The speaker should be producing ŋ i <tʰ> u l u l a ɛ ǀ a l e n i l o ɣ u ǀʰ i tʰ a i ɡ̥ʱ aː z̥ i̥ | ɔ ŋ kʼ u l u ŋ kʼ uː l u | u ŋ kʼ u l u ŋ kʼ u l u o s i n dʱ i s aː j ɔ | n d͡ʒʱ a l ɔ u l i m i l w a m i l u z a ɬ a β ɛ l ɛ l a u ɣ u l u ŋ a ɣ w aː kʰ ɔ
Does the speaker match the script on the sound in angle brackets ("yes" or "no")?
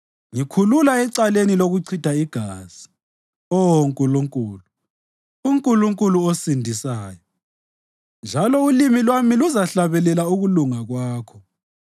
no